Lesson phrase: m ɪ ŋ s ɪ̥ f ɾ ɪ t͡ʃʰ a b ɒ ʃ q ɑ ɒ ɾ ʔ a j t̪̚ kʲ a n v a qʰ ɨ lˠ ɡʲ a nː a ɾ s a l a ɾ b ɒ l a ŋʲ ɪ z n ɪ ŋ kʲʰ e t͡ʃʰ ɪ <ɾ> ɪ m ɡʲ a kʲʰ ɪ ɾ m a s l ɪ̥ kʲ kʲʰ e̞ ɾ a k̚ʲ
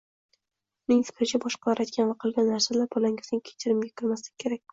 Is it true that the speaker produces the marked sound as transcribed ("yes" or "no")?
yes